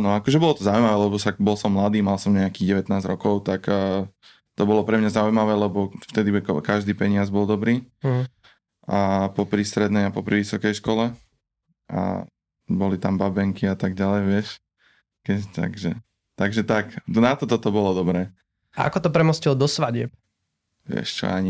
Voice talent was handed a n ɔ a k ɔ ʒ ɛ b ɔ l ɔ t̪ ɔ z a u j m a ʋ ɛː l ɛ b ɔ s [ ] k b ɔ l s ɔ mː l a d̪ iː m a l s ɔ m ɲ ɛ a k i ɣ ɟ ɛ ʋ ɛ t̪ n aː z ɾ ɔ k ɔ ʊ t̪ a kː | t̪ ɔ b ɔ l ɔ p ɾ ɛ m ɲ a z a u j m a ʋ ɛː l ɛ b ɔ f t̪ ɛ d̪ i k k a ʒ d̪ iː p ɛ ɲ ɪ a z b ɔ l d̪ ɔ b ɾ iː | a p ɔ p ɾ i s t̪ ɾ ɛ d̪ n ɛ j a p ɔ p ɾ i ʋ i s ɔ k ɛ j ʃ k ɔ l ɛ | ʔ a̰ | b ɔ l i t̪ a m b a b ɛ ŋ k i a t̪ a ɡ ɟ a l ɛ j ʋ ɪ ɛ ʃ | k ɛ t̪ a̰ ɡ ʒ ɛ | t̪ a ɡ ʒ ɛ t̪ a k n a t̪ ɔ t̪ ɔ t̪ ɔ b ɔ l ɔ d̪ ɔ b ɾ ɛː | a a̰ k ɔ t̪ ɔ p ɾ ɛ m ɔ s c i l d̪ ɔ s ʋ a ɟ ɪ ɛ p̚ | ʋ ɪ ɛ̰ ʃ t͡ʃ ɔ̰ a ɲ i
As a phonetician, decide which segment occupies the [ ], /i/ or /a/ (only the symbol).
a